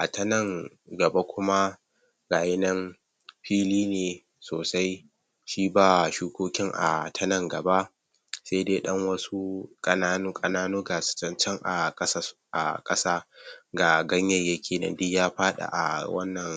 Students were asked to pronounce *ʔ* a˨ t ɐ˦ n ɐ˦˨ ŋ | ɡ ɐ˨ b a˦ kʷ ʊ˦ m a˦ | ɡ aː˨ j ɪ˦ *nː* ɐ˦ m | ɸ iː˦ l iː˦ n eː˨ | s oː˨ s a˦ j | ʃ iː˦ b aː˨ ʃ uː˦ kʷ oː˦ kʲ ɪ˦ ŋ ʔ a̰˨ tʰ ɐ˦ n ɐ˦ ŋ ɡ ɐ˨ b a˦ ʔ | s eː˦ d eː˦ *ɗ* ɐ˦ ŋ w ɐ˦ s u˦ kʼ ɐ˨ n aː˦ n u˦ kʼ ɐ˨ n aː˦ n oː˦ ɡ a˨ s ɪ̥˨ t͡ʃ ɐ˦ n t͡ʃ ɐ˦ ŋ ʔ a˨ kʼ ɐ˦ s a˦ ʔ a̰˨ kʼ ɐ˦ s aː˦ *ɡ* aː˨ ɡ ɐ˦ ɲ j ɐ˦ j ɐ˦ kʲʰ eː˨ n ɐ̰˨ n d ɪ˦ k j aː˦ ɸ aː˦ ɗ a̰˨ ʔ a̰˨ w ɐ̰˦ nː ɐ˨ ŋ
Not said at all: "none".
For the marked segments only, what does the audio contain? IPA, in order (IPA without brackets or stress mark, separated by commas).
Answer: ʔ, n, ɗ, ɡ